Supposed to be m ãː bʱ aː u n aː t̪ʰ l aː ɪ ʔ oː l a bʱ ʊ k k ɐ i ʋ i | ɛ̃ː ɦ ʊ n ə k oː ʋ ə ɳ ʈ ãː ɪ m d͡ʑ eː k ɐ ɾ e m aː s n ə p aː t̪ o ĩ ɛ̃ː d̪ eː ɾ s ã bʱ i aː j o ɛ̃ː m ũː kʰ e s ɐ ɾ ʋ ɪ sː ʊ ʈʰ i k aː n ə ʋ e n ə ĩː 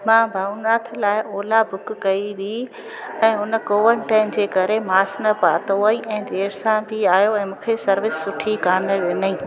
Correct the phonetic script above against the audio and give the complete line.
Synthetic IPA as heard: m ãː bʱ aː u n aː t̪ʰ l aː ɪ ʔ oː l a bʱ ʊ k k ɐ i ʋ i | ɛ̃ː ɦ ʊ n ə k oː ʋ ə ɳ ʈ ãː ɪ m d͡ʑ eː k ɐ ɾ e m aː s n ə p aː t̪ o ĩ ɛ̃ː d̪ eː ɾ s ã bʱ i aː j o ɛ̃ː m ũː kʰ e s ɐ ɾ ʋ ɪ sː ʊ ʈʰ i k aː n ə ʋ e n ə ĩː